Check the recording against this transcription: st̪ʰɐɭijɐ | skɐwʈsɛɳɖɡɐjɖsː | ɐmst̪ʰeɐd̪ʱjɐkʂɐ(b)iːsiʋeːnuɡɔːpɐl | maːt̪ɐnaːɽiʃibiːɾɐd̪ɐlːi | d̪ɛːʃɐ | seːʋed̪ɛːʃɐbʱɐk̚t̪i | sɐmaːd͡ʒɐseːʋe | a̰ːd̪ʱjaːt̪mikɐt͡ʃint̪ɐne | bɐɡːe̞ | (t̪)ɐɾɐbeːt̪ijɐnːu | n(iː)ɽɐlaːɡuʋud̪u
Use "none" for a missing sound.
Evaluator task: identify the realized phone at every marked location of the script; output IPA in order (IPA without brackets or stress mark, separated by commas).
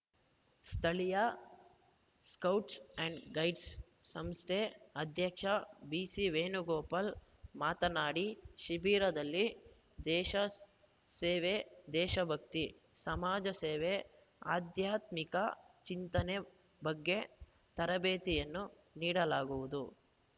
b, t̪, iː